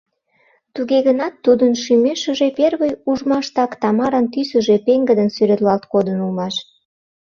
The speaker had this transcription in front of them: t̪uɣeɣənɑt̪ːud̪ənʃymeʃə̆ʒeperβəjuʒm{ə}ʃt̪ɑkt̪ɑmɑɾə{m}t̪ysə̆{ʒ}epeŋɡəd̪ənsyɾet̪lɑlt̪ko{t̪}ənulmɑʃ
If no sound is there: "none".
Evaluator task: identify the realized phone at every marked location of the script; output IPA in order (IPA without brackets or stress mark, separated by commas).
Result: ɑ, n, ʒ, d̪